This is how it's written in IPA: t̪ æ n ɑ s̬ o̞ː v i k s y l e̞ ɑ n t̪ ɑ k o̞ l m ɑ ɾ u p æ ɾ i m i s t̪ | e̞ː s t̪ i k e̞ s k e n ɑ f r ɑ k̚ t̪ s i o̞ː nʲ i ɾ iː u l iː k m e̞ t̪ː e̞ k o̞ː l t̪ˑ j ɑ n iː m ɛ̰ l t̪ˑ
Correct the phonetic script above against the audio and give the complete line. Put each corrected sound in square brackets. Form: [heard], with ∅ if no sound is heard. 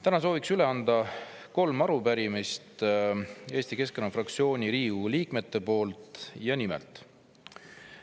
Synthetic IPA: t̪ æ n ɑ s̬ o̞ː v i k s y l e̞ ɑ n [d̪] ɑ k o̞ l m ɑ ɾ u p æ ɾ i m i s t̪ | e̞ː s t̪ i k e̞ s k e n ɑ f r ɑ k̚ t̪ s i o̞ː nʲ i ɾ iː u l iː k m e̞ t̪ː e̞ [p] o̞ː l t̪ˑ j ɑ n [i] m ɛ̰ l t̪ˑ